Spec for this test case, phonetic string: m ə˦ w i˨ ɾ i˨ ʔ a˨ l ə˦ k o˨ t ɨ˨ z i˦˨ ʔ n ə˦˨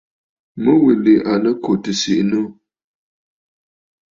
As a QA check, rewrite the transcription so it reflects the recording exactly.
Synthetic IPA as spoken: m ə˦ w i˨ l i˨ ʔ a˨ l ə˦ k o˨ t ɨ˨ s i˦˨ ʔ n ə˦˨